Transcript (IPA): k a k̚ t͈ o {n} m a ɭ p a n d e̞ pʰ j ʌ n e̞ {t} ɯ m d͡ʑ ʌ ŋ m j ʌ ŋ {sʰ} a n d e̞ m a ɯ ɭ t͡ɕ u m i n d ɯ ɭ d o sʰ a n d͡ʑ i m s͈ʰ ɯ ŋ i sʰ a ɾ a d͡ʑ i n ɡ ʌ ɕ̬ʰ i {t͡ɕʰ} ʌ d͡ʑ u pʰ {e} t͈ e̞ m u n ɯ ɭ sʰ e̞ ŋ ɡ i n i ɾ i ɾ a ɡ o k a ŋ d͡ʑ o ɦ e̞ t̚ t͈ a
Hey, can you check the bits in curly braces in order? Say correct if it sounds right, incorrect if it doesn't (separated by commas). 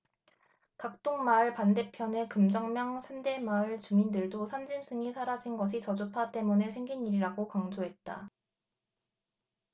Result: incorrect, incorrect, correct, incorrect, incorrect